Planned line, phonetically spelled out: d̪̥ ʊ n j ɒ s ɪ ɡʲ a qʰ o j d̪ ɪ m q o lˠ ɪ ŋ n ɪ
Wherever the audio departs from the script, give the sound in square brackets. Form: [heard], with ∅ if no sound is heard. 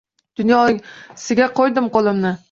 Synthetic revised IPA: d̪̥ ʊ n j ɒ s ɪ ɡʲ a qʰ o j d̪ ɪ m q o lˠ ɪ [m] n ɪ